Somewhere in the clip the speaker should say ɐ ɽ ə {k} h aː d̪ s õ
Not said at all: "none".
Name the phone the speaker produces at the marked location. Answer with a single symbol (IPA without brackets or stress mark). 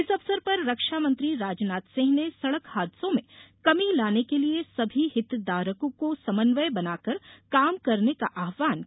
k